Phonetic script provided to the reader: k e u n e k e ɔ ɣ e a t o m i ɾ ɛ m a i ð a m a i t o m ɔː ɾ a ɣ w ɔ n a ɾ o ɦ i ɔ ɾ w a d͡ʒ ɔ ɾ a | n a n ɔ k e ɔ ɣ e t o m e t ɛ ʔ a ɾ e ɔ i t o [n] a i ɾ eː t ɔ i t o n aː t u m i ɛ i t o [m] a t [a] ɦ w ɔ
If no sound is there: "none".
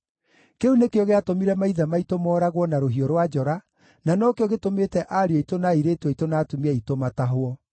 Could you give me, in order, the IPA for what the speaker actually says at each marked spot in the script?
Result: n, m, a

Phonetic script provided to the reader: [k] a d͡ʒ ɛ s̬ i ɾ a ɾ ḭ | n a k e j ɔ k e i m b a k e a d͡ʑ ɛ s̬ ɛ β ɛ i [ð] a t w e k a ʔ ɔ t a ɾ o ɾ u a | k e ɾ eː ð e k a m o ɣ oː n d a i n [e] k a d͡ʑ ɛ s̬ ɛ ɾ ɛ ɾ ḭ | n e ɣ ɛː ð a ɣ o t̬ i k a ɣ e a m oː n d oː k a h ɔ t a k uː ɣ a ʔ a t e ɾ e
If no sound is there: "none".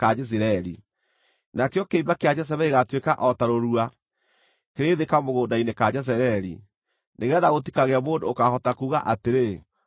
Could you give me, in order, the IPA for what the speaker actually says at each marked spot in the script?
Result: k, ɣ, e

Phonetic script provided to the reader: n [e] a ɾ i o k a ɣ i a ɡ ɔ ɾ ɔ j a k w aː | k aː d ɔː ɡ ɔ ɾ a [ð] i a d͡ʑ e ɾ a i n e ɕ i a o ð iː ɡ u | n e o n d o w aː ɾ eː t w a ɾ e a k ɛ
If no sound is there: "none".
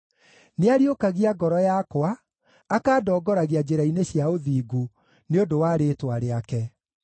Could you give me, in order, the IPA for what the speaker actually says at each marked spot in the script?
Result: e, ɣ

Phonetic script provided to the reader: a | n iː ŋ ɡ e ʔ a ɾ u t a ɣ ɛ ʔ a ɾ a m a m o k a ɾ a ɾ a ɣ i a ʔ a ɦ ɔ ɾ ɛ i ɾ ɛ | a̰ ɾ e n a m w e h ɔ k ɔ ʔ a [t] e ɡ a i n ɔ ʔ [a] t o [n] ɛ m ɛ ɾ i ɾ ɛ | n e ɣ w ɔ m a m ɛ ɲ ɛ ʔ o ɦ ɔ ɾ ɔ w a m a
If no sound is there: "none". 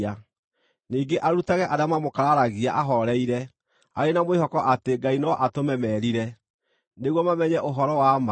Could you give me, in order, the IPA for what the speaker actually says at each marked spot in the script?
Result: t, a, m

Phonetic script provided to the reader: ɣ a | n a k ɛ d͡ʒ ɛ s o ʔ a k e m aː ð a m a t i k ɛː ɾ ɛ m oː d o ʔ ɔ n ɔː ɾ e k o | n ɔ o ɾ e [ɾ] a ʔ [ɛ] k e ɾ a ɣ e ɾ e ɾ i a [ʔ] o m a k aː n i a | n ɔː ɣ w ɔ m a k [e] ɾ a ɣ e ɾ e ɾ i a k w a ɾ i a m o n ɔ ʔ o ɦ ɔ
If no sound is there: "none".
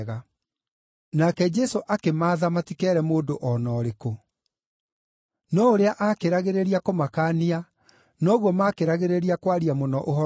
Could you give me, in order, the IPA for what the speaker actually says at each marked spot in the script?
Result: none, a, k, e

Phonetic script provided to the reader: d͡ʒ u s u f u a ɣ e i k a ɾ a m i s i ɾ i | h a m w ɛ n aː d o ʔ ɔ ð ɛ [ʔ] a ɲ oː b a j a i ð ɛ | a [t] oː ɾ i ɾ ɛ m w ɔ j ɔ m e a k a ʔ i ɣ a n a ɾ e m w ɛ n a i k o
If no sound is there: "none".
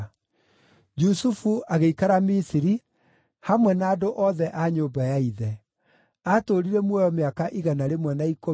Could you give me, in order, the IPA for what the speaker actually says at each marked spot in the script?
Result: ʔ, t

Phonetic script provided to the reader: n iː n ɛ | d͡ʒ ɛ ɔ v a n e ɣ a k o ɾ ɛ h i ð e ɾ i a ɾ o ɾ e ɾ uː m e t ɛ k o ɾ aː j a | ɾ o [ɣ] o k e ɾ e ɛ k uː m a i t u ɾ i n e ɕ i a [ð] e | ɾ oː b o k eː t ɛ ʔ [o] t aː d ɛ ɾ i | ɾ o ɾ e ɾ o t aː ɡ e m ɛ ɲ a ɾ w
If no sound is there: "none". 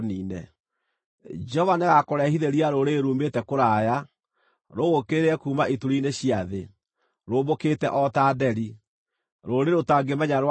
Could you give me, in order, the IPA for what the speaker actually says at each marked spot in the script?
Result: ɣ, ð, ɔ

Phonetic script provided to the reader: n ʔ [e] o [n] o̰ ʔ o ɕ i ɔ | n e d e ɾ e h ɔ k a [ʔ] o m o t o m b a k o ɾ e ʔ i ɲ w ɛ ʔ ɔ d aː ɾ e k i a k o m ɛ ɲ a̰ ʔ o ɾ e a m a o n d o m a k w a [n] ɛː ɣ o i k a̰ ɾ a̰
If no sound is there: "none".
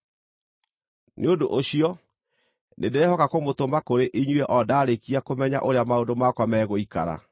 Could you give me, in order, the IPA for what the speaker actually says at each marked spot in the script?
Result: e, d, k, m

